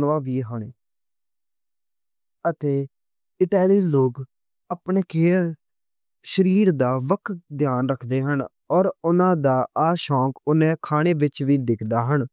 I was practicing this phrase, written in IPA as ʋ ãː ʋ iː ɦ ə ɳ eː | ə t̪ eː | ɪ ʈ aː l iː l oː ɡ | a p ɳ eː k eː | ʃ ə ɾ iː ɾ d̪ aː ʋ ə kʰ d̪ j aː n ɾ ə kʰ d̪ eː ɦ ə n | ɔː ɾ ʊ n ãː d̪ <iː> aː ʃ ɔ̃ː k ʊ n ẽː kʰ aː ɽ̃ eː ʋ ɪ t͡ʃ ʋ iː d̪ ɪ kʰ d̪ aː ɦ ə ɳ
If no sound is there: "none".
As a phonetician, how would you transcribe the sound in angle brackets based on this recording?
aː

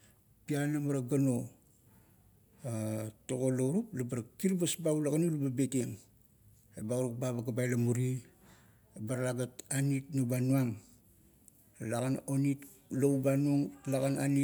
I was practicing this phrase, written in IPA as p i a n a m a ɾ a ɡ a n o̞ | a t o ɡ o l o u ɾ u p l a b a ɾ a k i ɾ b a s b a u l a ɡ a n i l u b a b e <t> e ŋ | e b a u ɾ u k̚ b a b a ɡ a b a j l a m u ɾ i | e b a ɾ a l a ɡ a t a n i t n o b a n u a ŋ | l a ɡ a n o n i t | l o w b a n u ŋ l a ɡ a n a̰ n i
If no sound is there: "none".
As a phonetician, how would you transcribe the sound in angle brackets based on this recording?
t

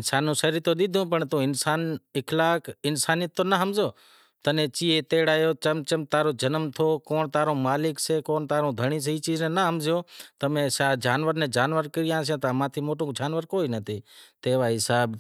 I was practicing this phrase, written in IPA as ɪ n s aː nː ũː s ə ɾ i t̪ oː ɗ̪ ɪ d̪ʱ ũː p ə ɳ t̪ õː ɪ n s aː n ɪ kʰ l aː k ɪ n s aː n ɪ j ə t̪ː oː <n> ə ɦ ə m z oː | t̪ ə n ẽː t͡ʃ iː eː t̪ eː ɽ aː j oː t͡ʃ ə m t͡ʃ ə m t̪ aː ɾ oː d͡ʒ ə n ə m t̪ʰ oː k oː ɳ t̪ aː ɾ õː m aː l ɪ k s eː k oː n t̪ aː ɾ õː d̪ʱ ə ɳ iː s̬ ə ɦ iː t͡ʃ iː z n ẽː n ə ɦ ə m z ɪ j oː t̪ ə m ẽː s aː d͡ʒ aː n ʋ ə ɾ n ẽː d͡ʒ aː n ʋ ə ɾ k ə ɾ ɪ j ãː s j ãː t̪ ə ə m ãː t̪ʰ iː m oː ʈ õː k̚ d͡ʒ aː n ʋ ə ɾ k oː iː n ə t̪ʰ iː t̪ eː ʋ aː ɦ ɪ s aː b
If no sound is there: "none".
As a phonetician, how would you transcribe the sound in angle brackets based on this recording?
n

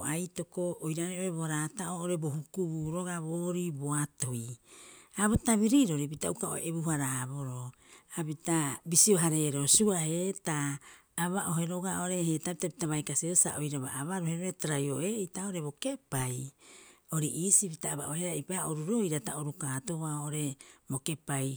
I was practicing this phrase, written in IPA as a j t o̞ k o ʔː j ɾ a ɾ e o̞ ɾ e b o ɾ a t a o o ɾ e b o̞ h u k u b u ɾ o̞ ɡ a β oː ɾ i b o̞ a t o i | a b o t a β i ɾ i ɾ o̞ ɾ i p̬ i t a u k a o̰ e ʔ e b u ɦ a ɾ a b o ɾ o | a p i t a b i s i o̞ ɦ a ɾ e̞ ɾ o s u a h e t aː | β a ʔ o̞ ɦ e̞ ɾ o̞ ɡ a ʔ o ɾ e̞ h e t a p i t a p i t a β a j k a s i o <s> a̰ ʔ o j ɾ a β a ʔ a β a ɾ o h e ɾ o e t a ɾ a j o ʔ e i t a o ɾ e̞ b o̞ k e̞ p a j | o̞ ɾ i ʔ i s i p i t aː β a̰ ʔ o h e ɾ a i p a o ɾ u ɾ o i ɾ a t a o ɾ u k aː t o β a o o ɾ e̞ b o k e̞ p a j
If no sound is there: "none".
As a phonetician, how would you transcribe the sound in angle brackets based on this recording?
s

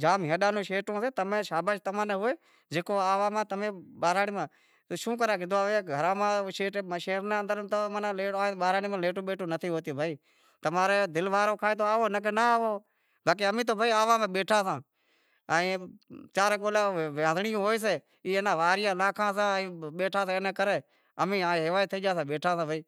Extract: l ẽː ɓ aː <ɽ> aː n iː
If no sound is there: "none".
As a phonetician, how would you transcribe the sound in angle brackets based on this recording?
ɾ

